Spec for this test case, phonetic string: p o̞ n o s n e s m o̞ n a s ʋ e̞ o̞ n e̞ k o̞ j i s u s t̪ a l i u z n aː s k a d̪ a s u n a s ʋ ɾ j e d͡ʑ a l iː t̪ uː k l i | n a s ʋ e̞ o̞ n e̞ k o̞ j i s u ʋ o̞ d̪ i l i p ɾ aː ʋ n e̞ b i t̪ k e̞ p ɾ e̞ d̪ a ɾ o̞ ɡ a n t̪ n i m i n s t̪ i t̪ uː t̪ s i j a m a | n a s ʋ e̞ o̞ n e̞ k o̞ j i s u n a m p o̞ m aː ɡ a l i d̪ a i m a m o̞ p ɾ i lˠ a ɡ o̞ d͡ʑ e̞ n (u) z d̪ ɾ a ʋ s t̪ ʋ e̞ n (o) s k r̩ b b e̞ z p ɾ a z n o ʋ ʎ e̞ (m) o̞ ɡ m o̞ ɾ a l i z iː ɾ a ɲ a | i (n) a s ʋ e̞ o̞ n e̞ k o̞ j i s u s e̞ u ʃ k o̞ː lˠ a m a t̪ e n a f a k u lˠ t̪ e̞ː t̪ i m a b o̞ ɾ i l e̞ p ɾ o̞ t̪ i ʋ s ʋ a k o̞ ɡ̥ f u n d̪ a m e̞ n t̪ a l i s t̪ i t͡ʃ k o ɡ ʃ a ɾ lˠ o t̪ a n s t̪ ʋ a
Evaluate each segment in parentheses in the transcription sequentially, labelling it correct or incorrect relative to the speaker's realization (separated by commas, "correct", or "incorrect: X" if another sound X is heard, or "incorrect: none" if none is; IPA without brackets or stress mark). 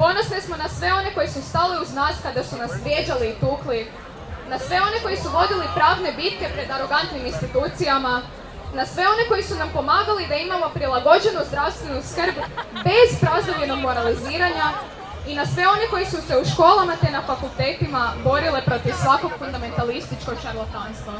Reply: correct, incorrect: u, incorrect: n, correct